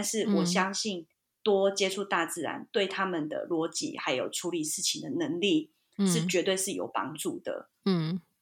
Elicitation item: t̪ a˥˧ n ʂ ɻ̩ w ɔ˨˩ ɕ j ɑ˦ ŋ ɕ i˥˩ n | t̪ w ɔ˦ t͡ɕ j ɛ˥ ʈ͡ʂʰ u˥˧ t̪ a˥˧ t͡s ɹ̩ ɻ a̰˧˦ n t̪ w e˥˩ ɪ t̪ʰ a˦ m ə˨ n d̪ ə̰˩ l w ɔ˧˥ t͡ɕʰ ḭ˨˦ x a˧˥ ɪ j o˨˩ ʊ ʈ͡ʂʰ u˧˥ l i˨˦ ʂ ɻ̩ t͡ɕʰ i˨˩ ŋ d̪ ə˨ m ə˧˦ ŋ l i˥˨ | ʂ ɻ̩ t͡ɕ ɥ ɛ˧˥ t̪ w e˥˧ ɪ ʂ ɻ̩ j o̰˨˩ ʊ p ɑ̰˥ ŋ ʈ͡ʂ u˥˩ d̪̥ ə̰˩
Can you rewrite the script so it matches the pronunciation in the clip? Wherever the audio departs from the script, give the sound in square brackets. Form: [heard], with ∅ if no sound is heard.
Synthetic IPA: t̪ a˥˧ n ʂ ɻ̩ w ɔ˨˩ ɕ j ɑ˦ ŋ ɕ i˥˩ n | t̪ w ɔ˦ t͡ɕ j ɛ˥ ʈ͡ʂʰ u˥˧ t̪ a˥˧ t͡s ɹ̩ ɻ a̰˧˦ n t̪ w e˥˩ ɪ t̪ʰ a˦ m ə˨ n d̪ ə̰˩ l w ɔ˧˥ [t͡ɕ] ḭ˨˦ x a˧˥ ɪ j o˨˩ ʊ ʈ͡ʂʰ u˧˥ l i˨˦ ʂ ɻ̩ t͡ɕʰ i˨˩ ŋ d̪ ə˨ [n] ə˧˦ ŋ l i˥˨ | ʂ ɻ̩ t͡ɕ ɥ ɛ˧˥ t̪ w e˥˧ ɪ ʂ ɻ̩ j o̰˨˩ ʊ p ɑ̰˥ ŋ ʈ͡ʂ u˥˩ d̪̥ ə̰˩